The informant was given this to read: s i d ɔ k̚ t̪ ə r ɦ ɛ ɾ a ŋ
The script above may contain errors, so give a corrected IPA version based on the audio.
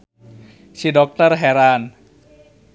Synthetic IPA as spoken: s i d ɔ k̚ t̪ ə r ɦ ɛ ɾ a n